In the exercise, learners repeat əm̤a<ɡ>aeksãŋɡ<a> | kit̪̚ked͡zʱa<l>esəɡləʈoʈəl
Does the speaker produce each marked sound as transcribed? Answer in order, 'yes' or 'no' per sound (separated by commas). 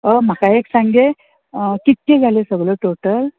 no, no, yes